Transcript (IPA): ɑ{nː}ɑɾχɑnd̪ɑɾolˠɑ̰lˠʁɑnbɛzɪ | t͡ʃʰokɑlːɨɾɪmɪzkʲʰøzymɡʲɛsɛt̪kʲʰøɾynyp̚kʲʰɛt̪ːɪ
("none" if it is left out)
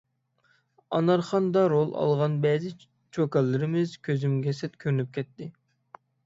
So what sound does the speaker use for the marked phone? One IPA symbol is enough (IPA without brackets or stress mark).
n